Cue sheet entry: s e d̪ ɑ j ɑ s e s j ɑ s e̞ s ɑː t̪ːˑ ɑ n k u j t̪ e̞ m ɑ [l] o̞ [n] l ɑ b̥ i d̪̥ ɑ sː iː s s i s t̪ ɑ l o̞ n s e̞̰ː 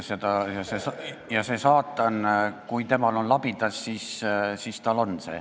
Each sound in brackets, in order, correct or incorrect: correct, correct

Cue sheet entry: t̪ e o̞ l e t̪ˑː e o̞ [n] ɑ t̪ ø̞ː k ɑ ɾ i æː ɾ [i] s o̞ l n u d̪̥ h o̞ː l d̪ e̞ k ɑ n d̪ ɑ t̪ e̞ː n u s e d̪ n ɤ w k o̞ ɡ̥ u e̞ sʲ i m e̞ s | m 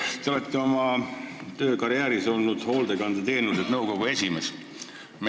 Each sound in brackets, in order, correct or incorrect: incorrect, correct

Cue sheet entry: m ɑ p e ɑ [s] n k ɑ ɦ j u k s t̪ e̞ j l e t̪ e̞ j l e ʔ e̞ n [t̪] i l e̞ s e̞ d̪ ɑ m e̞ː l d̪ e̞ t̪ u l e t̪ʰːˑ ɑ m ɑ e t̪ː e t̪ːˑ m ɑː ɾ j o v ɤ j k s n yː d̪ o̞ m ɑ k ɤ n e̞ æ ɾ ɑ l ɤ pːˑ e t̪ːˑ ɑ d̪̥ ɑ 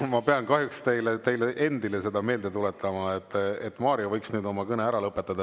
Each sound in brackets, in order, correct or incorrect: incorrect, incorrect

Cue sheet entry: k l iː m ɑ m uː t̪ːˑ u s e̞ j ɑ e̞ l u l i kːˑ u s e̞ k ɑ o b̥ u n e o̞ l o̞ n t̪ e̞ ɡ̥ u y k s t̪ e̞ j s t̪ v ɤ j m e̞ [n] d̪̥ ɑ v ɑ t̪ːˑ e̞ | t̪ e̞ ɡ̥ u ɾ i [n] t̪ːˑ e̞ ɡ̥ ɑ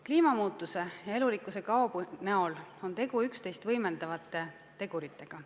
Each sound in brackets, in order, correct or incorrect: correct, incorrect

